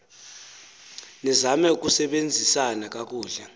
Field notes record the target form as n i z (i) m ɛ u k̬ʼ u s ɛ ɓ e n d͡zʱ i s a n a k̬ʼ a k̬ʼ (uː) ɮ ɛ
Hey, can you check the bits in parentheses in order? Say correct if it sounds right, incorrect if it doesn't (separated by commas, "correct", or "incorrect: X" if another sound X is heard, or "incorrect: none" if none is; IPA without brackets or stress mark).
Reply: incorrect: a, correct